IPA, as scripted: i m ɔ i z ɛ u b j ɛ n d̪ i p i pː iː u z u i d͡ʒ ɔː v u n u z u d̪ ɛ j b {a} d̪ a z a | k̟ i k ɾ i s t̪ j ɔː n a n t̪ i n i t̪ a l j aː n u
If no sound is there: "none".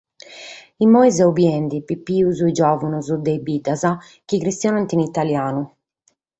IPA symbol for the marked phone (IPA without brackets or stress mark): i